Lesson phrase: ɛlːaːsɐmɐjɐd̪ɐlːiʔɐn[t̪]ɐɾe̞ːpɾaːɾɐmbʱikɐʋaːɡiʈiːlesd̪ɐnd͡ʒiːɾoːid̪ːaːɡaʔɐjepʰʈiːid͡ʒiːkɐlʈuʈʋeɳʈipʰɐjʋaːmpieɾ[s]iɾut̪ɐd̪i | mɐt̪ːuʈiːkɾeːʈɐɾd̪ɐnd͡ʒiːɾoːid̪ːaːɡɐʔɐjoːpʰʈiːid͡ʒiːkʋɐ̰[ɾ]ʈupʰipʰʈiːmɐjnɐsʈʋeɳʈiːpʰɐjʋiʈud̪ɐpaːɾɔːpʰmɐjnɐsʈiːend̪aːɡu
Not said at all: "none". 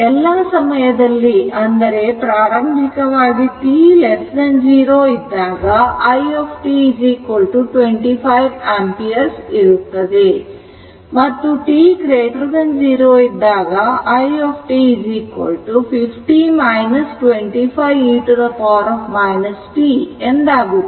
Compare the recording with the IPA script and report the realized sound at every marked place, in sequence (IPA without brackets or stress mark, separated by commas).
d̪, s, l